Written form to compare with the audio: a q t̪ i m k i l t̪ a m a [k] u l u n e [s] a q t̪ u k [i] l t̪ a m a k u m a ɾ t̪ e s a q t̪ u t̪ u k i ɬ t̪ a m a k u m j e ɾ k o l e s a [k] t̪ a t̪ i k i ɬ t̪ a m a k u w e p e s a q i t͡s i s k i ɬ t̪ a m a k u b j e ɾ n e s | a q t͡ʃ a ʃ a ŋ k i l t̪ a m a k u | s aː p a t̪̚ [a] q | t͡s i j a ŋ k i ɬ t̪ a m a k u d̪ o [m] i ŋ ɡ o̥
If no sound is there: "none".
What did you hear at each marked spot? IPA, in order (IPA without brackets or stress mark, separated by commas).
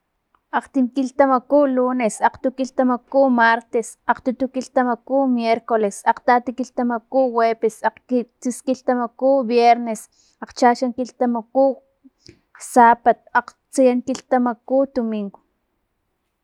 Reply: k, s, i, q, a, m